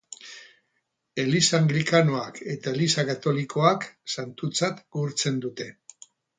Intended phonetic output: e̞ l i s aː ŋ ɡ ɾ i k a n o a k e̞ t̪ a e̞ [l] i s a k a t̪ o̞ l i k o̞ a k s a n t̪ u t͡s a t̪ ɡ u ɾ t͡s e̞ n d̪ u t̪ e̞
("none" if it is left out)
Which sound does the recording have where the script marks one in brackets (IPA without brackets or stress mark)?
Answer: l